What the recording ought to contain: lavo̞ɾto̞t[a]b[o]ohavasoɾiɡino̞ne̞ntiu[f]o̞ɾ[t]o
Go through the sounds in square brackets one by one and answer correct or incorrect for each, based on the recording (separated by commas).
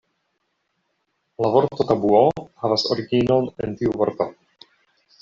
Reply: correct, incorrect, incorrect, correct